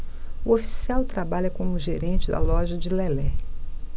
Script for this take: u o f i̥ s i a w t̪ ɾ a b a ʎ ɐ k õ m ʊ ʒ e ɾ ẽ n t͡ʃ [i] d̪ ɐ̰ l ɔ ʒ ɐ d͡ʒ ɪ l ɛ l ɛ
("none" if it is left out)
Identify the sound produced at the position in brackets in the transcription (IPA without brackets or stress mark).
ɪ